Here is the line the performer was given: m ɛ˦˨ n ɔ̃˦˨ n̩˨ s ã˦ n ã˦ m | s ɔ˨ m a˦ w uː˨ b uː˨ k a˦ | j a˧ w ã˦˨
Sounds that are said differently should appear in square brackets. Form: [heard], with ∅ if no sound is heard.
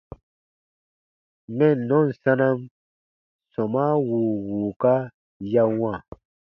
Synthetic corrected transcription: m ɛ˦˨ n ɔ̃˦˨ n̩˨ s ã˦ n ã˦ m | s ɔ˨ m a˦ w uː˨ [w] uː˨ k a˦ | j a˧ w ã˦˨